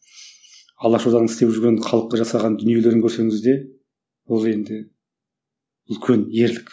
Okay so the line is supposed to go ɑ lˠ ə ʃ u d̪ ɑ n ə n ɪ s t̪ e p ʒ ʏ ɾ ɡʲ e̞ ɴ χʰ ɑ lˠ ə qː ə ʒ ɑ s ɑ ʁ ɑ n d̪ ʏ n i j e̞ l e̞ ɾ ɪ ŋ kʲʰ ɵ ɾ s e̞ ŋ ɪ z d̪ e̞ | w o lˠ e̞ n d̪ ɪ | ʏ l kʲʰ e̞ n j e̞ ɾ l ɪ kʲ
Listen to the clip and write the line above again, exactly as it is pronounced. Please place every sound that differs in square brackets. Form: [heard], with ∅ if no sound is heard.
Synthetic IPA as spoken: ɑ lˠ [ɑ] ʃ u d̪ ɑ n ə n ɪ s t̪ e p ʒ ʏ ɾ ɡʲ e̞ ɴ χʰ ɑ lˠ ə qː [ɑ] ʒ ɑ s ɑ ʁ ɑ n d̪ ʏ n i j e̞ l e̞ ɾ ɪ ŋ kʲʰ ɵ ɾ s e̞ ŋ ɪ z d̪ e̞ | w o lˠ e̞ n d̪ ɪ | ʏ l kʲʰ e̞ n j e̞ ɾ l ɪ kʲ